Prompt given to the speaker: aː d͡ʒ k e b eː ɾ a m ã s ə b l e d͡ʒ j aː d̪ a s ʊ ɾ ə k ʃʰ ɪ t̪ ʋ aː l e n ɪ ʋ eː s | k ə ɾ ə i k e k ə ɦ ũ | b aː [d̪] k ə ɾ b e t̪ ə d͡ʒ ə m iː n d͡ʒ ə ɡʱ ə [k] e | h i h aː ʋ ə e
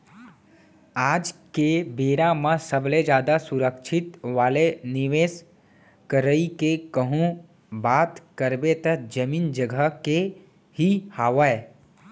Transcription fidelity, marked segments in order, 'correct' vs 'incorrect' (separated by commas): incorrect, correct